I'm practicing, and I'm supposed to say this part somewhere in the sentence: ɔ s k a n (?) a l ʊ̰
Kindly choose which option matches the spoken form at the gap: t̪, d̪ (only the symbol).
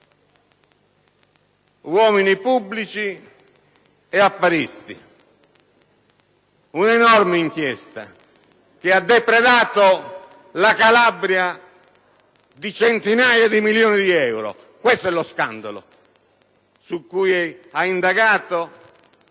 d̪